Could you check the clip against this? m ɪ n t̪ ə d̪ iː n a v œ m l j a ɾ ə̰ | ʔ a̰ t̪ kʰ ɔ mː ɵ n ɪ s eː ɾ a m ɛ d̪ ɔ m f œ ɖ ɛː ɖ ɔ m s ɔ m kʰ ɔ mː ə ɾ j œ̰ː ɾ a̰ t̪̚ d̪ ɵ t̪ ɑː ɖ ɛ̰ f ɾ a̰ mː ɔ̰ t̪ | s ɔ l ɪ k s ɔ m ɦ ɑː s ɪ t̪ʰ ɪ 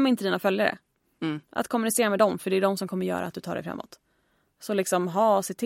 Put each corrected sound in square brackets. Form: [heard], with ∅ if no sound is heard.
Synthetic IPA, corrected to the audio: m ɪ n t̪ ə d̪ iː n a [f] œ [∅] l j a ɾ ə̰ | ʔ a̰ t̪ kʰ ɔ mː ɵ n ɪ s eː ɾ a m ɛ d̪ ɔ m f œ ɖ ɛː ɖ ɔ m s ɔ m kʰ ɔ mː ə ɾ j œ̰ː ɾ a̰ t̪̚ d̪ ɵ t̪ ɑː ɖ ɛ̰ f ɾ a̰ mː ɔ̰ t̪ | s ɔ l ɪ k s ɔ m ɦ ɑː s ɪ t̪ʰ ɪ